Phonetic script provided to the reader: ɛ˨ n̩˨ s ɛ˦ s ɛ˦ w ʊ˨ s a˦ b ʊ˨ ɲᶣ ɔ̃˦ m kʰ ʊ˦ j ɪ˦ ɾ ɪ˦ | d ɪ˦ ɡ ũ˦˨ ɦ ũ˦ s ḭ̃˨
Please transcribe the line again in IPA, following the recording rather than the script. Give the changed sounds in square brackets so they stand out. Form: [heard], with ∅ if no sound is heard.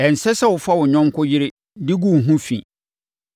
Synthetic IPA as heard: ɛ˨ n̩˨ s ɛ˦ s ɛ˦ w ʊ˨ [f] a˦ [w] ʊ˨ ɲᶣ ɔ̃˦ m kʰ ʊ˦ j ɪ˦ ɾ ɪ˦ | d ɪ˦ ɡ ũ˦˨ ɦ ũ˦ [f] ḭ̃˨

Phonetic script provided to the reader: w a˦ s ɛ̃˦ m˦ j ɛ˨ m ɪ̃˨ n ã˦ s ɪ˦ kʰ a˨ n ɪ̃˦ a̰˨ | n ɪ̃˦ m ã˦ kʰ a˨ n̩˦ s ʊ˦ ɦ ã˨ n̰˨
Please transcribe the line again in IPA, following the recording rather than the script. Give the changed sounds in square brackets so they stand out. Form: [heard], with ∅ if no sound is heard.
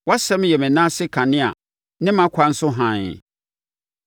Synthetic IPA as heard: w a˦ s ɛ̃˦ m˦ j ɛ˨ m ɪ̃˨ n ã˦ s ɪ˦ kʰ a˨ n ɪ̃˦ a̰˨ | n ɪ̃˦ m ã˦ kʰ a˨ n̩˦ s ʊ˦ ɦ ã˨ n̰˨

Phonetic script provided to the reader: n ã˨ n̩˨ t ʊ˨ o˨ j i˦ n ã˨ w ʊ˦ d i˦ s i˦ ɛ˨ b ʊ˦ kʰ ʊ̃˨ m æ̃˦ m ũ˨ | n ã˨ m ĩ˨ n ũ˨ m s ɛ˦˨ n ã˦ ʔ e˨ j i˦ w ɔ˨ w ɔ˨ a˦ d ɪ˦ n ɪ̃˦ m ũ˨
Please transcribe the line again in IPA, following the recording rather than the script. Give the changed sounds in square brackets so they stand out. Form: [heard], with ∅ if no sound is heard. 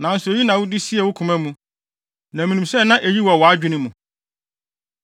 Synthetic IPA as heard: n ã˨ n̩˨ [s] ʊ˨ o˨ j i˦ n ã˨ w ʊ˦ d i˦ s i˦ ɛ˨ [w] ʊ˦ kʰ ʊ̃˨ m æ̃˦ m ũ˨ | n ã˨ m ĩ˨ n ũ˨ m s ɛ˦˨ n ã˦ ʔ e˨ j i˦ w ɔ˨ w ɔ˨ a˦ [d͡ʑᶣ] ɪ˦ n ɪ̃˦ m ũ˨

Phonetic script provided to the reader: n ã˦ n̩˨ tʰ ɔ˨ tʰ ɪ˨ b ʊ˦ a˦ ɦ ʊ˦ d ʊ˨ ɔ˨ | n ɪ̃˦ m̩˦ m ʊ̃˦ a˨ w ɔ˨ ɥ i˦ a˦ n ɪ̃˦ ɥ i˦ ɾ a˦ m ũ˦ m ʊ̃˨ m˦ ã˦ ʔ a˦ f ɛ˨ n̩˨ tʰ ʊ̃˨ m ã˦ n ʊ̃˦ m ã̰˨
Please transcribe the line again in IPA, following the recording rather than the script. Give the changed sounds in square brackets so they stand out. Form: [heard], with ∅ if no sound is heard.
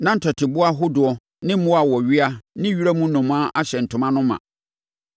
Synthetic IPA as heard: n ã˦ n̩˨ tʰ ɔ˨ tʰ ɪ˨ b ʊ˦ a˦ ɦ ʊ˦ d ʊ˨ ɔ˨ | n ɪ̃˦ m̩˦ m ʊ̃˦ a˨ w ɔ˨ ɥ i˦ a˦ n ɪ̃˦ ɥ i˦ ɾ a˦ m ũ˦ [n] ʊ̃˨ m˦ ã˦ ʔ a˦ [ɕ] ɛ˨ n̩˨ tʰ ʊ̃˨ m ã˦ n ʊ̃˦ m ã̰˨

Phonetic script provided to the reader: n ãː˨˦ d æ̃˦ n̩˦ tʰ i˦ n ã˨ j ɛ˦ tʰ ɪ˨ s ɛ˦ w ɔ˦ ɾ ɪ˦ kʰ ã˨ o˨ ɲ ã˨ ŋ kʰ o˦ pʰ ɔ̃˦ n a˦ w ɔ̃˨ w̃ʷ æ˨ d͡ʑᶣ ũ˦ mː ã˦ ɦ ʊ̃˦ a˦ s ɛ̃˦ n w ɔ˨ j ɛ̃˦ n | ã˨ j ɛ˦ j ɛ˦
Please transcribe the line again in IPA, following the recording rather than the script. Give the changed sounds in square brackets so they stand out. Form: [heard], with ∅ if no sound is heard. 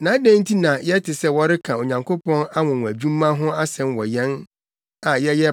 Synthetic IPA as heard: n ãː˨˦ d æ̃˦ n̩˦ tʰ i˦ n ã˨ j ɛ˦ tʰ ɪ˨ s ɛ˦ w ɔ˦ ɾ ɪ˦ kʰ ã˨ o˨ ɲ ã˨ ŋ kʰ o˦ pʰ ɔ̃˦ n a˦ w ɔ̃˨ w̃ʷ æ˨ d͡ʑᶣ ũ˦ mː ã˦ ɦ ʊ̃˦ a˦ s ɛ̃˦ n w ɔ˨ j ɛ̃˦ n | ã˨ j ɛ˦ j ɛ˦

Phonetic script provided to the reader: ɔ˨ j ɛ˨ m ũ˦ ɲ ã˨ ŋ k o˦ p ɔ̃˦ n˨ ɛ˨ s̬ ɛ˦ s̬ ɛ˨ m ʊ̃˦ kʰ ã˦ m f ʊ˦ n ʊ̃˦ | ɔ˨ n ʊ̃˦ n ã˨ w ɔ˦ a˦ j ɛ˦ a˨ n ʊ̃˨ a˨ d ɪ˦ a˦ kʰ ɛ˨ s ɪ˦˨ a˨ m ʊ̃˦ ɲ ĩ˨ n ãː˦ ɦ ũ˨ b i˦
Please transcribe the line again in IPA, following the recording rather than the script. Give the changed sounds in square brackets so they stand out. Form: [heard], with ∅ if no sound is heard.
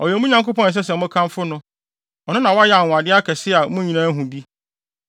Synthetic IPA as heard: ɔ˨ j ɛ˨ m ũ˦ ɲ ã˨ ŋ k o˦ p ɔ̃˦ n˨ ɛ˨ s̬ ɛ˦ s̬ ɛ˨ m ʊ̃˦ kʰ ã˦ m f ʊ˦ n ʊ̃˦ | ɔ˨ n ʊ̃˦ n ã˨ w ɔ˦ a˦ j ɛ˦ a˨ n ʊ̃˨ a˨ d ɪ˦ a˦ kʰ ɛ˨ s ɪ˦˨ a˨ m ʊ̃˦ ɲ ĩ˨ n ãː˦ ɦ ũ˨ b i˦

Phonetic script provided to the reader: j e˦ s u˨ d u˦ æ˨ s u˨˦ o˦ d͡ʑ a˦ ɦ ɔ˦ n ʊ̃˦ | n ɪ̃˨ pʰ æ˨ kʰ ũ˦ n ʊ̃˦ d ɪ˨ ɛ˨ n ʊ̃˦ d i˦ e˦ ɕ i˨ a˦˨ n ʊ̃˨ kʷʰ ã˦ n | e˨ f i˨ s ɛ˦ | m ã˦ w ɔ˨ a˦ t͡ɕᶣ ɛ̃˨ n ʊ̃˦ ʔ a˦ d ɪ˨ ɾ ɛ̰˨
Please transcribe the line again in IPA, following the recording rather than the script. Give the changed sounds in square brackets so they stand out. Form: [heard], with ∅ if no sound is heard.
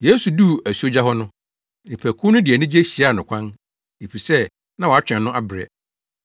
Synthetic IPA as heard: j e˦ s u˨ d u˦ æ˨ s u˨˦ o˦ d͡ʑ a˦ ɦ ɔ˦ n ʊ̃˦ | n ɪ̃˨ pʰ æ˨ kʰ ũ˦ n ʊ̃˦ d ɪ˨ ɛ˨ n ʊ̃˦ [d͡ʑ] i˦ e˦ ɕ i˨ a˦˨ n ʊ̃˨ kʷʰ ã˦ n | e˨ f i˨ s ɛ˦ | [n] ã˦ w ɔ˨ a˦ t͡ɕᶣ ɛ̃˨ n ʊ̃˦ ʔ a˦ [b] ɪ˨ ɾ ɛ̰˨

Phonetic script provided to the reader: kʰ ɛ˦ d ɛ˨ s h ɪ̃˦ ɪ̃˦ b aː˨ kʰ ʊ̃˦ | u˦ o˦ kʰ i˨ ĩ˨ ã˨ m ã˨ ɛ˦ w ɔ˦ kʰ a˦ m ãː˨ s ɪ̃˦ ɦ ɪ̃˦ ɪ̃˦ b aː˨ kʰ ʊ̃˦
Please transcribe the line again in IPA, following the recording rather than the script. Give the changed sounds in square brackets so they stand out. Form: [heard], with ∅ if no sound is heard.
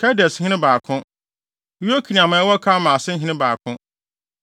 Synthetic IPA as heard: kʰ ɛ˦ d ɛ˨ s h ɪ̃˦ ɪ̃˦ b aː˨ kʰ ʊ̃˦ | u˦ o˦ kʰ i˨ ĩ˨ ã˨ m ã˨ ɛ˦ w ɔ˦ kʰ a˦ m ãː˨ s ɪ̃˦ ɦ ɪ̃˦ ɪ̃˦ b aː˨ kʰ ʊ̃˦

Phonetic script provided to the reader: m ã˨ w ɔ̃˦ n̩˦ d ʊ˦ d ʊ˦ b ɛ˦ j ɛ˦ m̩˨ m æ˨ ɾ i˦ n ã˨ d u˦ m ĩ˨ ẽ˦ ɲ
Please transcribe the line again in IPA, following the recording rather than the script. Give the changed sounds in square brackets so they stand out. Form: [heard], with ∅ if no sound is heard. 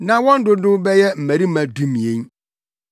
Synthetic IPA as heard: [n] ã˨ w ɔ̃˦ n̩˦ d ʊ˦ d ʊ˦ b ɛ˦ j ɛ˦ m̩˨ m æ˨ ɾ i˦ [m] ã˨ d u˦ m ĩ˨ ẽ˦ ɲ

